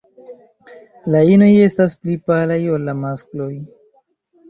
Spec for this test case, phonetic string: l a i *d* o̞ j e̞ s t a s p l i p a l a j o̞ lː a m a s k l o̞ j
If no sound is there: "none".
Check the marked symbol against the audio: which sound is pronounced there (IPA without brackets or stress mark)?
n